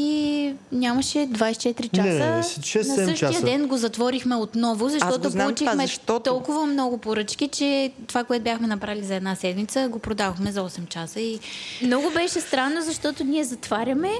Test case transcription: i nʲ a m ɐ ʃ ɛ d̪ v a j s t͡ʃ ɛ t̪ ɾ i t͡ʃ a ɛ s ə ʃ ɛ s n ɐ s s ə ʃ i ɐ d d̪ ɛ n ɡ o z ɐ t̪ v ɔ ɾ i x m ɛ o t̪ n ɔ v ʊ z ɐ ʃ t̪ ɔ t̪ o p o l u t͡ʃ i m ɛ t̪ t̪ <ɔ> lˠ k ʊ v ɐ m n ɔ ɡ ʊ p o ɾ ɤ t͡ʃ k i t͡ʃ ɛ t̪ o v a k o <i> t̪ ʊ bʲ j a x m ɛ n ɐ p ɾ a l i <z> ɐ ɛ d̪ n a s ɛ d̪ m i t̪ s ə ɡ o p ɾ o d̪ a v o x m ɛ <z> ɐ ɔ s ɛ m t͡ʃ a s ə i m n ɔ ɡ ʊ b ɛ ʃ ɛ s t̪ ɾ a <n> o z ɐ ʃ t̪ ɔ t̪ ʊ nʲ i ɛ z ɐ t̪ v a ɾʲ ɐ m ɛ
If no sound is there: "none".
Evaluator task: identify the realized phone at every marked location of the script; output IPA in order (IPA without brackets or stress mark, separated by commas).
ɔ, ɛ, z, z, nː